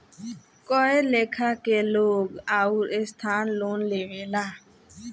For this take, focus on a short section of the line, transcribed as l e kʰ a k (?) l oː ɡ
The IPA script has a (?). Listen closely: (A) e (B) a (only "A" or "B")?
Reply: A